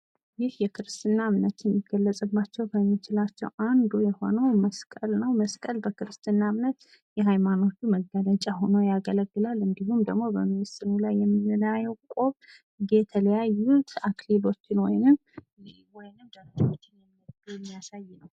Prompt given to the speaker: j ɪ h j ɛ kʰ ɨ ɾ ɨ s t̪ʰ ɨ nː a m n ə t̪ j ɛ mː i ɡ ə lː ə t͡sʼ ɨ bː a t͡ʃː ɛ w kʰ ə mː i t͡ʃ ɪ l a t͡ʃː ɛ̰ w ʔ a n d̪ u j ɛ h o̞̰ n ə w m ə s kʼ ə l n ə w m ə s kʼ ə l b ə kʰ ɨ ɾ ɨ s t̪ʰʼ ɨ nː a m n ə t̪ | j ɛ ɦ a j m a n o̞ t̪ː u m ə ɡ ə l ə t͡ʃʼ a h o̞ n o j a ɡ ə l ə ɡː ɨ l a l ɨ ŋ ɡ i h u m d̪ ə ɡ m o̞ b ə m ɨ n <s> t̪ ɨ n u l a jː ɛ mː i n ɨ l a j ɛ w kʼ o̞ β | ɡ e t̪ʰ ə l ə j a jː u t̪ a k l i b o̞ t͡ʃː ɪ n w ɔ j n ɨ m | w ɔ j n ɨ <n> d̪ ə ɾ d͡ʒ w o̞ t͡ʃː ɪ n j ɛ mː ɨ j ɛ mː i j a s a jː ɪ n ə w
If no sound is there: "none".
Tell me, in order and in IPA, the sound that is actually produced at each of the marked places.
s, m

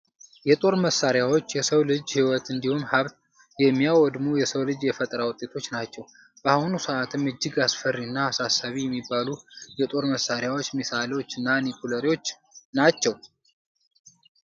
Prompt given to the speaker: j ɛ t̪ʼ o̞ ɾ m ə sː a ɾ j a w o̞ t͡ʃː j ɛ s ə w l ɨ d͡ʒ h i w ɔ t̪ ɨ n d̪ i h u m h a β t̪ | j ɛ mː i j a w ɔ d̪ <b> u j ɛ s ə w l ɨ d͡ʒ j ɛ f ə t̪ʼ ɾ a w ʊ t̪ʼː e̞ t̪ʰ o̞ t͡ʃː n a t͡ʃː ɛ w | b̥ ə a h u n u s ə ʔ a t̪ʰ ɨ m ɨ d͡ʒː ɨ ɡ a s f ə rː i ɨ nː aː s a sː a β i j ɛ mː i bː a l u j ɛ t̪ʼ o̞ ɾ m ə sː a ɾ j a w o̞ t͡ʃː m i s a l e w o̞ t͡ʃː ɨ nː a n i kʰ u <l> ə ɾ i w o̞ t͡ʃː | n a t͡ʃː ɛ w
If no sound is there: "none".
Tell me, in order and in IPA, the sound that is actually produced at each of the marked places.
m, l

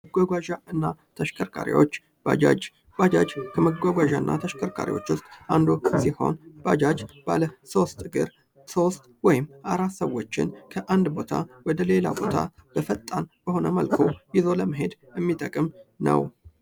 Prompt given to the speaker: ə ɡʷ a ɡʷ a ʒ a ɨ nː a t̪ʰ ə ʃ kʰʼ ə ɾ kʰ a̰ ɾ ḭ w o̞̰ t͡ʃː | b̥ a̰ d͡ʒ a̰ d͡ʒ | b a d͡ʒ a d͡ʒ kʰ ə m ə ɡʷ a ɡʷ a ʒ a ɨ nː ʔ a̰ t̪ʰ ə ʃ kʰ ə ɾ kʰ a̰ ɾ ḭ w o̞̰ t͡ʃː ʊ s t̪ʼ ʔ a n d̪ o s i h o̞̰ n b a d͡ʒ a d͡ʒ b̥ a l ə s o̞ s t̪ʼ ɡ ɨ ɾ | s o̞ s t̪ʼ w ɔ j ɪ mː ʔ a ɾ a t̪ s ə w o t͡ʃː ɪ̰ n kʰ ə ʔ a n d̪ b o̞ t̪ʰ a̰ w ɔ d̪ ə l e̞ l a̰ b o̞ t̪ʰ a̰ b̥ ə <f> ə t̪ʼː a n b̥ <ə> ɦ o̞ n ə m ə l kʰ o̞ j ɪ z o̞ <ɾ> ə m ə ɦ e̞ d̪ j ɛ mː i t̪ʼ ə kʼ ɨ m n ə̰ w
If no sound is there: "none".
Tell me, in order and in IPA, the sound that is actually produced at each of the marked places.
f, ə, l

